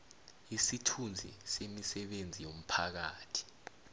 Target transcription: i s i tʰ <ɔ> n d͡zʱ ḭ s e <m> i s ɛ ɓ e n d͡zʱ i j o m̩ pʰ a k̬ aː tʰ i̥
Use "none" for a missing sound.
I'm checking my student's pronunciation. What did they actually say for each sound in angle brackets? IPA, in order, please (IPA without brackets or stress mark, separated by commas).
u, m